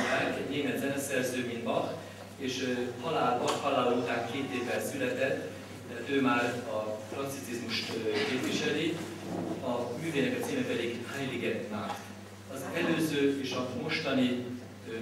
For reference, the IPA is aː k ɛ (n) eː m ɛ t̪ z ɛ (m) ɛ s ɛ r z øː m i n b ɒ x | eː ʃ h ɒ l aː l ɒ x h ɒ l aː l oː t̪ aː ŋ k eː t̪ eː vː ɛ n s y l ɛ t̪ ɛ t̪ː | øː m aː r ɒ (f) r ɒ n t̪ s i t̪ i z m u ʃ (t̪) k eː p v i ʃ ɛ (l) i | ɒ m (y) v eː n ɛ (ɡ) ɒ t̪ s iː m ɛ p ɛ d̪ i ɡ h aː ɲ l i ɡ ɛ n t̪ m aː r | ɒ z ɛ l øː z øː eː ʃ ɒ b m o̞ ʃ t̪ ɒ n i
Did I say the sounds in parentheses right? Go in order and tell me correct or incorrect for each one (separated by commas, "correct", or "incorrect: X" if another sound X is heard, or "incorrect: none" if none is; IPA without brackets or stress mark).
correct, incorrect: n, correct, correct, correct, incorrect: yː, incorrect: k